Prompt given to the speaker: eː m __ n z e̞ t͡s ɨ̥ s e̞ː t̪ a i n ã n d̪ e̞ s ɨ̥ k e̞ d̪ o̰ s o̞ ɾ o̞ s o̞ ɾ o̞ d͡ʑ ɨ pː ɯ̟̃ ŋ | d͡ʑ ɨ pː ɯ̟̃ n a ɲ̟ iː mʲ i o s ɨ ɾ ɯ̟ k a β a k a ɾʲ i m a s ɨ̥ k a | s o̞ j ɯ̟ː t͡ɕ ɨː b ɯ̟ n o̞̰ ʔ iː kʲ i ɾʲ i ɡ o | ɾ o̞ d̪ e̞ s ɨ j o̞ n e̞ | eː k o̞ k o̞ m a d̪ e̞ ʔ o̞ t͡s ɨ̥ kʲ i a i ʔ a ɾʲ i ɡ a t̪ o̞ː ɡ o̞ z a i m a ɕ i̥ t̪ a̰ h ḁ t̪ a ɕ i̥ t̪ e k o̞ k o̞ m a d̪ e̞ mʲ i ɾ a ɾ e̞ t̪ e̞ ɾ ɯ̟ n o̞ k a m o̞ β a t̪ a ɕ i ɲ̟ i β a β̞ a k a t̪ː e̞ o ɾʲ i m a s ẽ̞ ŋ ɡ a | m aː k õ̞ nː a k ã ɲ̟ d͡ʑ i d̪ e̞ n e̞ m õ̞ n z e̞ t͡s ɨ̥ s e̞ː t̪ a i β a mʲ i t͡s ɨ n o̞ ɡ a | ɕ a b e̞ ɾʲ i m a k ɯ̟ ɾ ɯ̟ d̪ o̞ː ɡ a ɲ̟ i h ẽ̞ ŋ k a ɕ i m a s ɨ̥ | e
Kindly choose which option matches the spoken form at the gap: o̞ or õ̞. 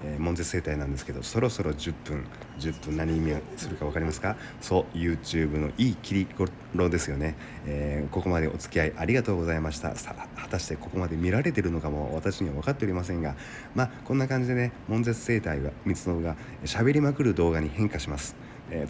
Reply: õ̞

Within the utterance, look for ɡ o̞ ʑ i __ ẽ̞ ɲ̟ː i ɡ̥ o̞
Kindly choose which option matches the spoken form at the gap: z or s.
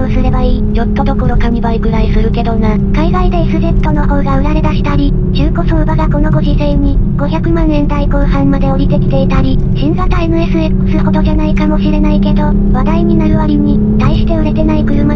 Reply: s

